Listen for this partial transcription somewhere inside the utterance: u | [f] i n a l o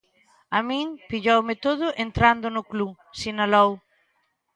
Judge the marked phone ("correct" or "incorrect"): incorrect